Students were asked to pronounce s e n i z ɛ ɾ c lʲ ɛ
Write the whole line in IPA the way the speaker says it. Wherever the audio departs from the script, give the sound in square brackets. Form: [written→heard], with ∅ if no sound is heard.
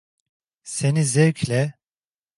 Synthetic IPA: s e n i z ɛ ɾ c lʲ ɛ